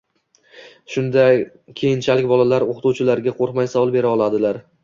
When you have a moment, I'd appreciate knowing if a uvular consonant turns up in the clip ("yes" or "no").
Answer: yes